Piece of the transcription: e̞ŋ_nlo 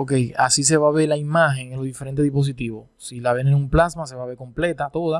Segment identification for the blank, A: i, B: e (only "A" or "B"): B